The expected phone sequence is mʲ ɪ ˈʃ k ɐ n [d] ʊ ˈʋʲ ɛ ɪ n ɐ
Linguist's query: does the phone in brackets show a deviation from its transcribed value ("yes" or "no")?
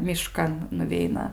yes